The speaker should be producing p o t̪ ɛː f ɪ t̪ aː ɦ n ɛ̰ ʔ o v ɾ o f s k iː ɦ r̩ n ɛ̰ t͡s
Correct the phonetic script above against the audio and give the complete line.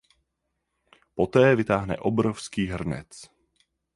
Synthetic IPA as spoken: p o t̪ ɛː v ɪ t̪ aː ɦ n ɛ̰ ʔ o b ɾ o f s k iː ɦ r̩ n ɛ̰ t͡s